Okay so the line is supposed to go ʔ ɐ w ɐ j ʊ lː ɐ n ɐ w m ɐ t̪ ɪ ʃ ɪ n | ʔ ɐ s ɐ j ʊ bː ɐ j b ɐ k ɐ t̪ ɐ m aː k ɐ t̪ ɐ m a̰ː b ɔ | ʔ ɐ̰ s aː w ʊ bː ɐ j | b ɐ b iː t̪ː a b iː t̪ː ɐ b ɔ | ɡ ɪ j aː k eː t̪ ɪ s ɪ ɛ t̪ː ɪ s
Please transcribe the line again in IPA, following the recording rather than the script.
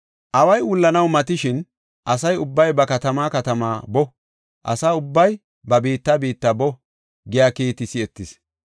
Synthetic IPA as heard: ʔ ɐ w ɐ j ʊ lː ɐ n ɐ w m ɐ t̪ ɪ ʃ ɪ n | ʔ ɐ s ɐ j ʊ bː ɐ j b ɐ k ɐ t̪ ɐ m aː k ɐ t̪ ɐ m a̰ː b ɔ | ʔ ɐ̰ s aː ʊ bː ɐ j | b ɐ b iː t̪ː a b iː t̪ː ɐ b ɔ | ɡ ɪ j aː k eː t̪ ɪ s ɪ ɛ t̪ː ɪ s